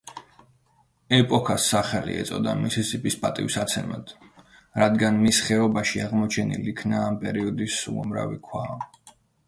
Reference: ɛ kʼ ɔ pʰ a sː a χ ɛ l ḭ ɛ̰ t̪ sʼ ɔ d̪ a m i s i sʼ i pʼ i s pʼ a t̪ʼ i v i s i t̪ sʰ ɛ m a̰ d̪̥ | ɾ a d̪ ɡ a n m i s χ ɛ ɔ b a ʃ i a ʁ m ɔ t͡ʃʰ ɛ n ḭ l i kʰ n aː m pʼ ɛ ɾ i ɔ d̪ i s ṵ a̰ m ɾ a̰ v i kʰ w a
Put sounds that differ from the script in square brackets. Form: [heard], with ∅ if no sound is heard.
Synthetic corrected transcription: ɛ [pʼ] ɔ [kʰ] a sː a χ ɛ l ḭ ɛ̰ t̪ sʼ ɔ d̪ a m i s i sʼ i pʼ i s pʼ a t̪ʼ i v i s [a] t̪ sʰ ɛ m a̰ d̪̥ | ɾ a d̪ ɡ a n m i s χ ɛ ɔ b a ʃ i a ʁ m ɔ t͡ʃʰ ɛ n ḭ l i kʰ n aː m pʼ ɛ ɾ i ɔ d̪ i s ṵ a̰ m ɾ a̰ v i kʰ w a